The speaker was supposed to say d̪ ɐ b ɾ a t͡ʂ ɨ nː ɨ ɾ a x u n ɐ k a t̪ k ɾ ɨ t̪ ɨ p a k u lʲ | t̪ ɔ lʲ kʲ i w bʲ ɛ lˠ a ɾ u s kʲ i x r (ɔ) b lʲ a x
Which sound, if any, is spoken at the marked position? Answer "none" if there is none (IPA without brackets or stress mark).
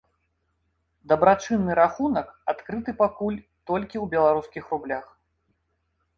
u